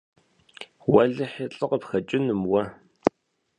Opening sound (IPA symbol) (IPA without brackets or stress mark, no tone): w